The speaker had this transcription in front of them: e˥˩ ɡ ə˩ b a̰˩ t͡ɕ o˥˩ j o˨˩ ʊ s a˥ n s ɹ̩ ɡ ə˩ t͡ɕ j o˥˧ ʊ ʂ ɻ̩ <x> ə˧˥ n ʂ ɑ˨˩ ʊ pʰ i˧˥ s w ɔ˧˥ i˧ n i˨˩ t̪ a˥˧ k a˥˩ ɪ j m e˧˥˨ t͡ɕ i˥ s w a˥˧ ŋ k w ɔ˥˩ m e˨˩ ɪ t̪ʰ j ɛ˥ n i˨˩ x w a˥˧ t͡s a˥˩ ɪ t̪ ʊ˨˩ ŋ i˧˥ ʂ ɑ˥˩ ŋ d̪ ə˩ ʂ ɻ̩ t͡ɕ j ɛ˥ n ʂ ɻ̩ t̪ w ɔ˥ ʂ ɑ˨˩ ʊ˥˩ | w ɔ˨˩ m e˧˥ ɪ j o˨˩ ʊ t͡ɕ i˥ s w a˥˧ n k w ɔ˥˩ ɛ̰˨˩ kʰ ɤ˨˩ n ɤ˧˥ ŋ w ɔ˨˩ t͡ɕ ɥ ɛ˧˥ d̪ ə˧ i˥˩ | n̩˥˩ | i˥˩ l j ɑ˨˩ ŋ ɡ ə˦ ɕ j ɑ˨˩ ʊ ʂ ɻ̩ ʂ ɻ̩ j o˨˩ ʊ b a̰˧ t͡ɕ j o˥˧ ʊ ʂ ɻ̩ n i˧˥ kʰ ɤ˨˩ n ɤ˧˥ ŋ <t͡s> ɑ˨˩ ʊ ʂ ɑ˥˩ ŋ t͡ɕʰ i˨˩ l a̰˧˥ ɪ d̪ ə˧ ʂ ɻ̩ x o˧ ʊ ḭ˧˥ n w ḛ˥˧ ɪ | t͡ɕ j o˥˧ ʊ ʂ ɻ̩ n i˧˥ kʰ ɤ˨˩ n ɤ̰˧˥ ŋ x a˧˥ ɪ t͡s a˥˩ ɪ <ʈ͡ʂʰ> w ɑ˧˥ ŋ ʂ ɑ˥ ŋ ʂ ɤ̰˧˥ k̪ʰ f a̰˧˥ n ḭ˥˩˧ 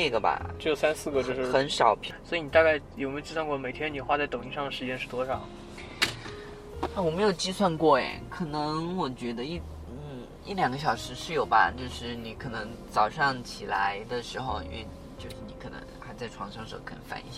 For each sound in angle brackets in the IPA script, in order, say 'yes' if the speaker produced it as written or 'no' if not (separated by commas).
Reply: yes, yes, yes